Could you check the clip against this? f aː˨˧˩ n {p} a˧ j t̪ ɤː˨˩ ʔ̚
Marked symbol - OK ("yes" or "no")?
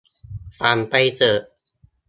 yes